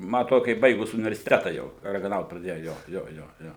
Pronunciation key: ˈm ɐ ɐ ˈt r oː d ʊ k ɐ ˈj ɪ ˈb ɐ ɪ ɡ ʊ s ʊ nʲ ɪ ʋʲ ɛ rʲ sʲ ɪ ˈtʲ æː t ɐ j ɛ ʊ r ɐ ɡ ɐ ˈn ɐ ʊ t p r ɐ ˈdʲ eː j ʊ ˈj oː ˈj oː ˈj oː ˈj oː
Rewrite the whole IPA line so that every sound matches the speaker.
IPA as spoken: ˈm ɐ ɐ ˈt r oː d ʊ k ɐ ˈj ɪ ˈb ɐ ɪ ɡ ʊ s ʊ nʲ ɪ ʋʲ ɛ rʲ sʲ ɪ ˈtʲ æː t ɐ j ɛ ʊ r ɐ ɡ ɐ ˈn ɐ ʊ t p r ɐ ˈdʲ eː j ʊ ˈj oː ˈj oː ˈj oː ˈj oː